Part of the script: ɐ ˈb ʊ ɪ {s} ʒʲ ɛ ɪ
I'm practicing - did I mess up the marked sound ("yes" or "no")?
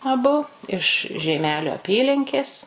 yes